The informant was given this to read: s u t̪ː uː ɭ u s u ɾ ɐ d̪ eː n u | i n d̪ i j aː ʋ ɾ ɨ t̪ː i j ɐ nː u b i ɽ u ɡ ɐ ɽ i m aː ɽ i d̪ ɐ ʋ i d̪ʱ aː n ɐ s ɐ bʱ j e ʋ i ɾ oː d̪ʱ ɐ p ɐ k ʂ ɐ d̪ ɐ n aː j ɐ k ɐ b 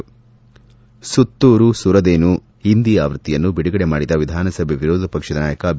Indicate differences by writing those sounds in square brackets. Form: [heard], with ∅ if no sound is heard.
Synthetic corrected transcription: s u t̪ː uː [ɾ] u s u ɾ ɐ d̪ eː n u | i n d̪ i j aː ʋ ɾ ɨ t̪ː i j ɐ nː u b i ɽ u ɡ ɐ ɽ [e] m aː ɽ i d̪ ɐ ʋ i d̪ʱ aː n ɐ s ɐ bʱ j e ʋ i ɾ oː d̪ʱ ɐ p ɐ k ʂ ɐ d̪ ɐ n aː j ɐ k ɐ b